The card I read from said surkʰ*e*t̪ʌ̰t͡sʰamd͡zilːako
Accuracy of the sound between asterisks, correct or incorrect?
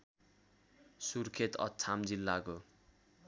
correct